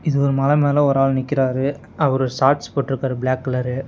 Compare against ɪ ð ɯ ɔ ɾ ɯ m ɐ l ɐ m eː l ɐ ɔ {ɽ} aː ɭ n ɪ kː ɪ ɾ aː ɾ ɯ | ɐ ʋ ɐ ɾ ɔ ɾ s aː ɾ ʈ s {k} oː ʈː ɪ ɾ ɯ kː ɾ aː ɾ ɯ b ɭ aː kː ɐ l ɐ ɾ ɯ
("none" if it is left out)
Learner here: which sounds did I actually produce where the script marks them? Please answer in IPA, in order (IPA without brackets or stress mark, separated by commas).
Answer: ɾ, p